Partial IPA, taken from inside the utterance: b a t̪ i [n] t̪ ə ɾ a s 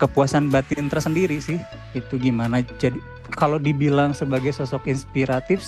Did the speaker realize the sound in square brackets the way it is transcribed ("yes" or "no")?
yes